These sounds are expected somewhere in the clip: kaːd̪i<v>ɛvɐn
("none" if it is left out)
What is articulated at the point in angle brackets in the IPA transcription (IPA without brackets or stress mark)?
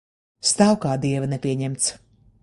none